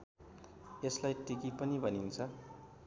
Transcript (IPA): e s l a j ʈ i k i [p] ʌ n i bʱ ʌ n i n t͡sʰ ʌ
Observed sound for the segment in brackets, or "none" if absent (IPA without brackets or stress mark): p